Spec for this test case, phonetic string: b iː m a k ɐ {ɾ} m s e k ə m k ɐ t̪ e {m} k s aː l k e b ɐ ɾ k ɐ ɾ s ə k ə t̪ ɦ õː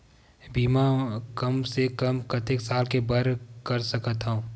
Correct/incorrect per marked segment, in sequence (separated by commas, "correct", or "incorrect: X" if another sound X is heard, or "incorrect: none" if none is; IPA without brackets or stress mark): incorrect: none, incorrect: none